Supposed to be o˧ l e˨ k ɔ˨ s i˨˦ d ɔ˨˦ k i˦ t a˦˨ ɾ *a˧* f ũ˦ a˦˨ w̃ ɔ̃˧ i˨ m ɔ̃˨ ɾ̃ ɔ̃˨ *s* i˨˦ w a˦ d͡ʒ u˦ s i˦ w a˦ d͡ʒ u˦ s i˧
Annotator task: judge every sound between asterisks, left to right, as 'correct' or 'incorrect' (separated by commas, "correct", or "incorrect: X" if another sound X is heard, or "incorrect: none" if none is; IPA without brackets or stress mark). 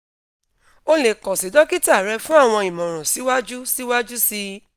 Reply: incorrect: ɛ˧, correct